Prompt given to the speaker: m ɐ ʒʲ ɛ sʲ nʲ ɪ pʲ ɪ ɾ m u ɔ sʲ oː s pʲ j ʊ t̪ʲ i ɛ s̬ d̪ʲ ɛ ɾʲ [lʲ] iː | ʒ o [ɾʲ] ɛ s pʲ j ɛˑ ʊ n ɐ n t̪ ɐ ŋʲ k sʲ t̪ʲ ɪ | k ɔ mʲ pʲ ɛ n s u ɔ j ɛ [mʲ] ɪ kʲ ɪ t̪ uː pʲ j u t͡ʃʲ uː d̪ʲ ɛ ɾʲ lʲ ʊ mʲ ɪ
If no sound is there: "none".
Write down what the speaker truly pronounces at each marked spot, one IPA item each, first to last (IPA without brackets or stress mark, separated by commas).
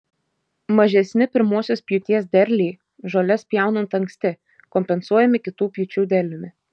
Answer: lʲ, lʲ, mʲ